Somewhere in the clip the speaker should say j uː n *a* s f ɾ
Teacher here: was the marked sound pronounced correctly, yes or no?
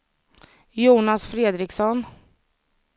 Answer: yes